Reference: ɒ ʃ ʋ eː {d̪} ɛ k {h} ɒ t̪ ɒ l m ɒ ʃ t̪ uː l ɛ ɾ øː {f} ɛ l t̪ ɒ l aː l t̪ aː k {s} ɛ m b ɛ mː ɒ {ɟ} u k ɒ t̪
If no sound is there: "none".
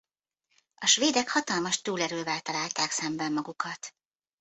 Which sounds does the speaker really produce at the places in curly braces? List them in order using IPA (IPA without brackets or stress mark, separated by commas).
d̪, h, v, s, ɡ